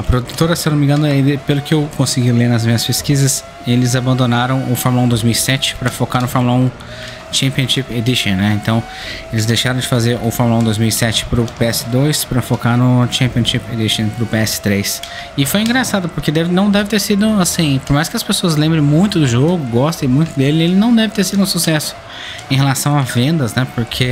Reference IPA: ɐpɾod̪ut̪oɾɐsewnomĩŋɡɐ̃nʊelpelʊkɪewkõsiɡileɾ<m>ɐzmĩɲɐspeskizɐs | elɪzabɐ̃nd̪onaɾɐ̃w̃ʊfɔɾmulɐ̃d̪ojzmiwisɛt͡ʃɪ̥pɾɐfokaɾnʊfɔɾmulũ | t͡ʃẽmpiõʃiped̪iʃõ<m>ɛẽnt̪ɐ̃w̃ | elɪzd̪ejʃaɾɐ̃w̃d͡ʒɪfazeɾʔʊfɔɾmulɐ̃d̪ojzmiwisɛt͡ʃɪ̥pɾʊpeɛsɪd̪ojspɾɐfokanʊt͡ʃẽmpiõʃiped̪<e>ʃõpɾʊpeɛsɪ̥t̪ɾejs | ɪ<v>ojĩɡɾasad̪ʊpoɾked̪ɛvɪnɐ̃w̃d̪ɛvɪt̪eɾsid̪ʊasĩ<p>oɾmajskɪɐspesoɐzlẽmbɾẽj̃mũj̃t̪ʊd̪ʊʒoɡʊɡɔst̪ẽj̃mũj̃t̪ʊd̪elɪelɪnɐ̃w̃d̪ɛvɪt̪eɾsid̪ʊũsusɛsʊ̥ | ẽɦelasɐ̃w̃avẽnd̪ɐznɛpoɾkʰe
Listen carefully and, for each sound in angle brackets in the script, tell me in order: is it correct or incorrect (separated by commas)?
incorrect, incorrect, incorrect, incorrect, correct